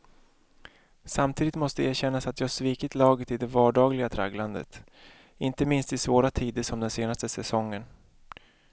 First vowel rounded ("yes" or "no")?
no